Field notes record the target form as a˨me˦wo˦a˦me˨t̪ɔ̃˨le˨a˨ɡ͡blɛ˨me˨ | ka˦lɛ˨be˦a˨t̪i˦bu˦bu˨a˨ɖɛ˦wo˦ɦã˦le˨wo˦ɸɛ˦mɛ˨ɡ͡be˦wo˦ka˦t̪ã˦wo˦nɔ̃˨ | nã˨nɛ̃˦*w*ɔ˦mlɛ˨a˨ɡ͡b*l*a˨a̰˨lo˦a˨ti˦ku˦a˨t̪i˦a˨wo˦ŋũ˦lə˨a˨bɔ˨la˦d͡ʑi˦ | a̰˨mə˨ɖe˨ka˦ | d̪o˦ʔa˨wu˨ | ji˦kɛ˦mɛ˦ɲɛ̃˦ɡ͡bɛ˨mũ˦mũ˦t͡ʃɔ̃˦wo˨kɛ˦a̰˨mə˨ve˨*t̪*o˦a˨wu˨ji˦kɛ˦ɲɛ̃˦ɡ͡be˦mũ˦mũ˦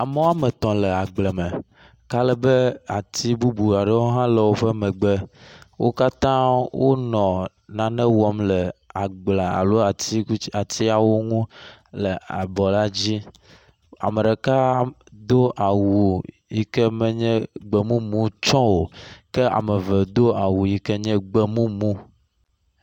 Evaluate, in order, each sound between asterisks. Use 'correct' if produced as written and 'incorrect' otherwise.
correct, correct, incorrect: d̪

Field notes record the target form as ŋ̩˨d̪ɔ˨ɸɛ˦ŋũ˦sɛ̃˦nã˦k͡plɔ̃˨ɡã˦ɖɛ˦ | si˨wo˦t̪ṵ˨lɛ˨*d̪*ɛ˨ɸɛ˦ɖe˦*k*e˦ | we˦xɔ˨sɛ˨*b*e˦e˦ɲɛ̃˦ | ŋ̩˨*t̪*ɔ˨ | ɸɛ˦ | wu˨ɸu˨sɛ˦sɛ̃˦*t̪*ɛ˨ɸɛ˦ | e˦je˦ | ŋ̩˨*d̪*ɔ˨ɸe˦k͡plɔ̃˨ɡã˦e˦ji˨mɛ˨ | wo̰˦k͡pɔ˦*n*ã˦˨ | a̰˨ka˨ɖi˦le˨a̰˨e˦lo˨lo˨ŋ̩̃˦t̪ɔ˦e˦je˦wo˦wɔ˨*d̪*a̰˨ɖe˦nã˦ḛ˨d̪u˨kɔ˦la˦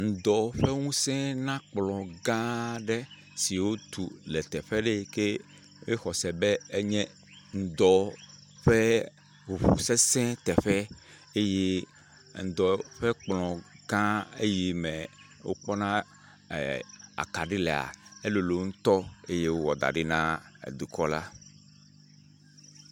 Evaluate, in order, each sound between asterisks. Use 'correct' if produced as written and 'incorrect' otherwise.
incorrect: t̪, correct, correct, incorrect: d̪, correct, correct, correct, correct

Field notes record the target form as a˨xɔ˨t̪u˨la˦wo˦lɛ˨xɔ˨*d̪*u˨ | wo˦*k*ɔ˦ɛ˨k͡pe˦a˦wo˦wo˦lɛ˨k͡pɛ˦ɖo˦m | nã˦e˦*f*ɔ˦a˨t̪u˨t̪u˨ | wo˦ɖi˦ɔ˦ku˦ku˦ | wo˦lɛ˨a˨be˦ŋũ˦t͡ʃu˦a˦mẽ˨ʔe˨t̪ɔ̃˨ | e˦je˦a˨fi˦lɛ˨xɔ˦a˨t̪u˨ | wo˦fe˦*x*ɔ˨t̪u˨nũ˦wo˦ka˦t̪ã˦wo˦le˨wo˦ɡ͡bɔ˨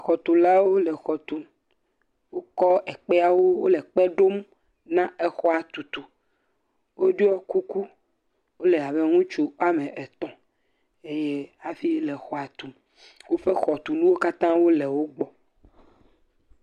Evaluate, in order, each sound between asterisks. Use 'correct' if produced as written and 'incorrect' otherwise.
incorrect: t̪, correct, incorrect: x, correct

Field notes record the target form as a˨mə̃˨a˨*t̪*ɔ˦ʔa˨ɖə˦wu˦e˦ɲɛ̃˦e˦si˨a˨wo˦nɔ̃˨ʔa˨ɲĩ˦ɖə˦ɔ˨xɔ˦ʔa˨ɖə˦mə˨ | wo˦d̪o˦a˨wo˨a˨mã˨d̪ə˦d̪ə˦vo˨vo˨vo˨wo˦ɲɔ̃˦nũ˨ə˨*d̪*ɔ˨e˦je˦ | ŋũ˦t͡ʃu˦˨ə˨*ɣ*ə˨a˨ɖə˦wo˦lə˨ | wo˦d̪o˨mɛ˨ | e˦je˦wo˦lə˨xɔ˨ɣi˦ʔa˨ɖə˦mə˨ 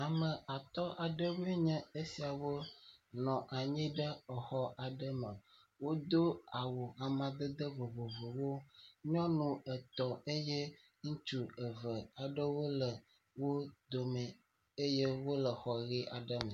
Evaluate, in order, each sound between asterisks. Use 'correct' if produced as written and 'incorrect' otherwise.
correct, incorrect: t̪, incorrect: v

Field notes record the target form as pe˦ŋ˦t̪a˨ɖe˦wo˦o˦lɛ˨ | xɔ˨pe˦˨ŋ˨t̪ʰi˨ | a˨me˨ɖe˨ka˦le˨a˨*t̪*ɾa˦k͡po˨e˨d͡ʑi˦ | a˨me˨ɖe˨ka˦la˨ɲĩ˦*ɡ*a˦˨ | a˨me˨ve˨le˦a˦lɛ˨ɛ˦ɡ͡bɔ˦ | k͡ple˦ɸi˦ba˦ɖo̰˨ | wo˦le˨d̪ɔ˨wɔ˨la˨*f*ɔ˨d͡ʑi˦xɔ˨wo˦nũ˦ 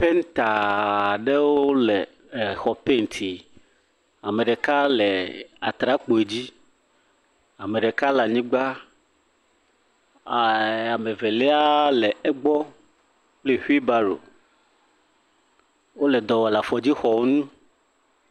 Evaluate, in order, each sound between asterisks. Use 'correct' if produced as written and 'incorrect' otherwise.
correct, incorrect: ɡ͡b, correct

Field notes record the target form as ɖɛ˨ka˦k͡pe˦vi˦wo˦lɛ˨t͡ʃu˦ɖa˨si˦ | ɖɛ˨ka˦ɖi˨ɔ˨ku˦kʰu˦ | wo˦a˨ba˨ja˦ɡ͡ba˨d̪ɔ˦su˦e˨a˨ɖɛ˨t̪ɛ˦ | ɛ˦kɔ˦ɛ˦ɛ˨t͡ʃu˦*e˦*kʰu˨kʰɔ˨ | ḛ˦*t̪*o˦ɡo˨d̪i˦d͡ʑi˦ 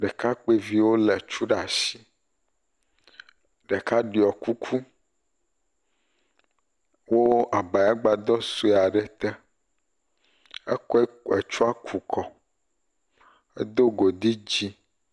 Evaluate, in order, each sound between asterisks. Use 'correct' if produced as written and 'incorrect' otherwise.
incorrect: a˦, incorrect: d̪

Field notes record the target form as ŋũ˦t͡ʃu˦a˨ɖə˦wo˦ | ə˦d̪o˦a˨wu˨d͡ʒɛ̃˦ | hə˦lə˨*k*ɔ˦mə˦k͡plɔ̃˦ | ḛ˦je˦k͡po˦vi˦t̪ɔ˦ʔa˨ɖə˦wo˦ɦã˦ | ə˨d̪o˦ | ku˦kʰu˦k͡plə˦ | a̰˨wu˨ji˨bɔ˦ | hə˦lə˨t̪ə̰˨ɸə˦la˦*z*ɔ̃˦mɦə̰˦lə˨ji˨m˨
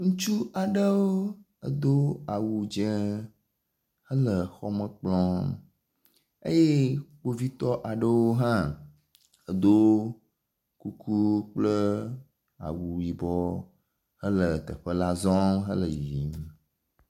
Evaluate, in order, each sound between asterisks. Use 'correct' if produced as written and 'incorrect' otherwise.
incorrect: x, correct

